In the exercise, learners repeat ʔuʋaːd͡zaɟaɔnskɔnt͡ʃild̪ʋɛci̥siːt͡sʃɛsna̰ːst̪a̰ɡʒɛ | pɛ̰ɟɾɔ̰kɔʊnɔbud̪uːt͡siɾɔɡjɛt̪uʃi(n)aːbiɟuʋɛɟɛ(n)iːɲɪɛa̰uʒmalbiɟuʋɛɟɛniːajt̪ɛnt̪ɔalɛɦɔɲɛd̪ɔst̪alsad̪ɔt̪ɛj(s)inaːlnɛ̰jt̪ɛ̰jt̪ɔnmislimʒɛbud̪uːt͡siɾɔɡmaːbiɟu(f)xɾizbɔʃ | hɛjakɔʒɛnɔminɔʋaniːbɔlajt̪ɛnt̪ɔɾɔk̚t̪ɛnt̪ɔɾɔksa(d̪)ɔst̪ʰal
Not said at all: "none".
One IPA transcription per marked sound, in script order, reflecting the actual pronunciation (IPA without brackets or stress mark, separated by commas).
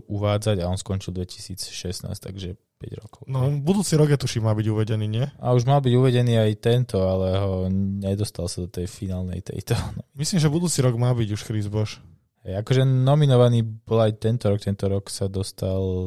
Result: m, n, f, ʃ, d̪